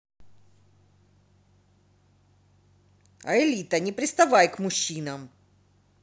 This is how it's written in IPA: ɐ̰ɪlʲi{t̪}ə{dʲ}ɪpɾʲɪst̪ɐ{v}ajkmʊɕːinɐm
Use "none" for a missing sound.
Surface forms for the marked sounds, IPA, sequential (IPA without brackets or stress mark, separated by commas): t̪, nʲ, v